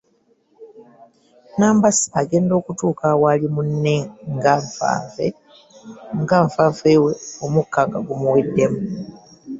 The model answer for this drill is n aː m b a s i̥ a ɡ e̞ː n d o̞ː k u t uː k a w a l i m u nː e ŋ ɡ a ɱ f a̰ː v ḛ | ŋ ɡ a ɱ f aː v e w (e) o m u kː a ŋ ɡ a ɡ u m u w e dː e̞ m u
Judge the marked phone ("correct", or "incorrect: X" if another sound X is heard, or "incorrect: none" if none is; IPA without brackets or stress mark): correct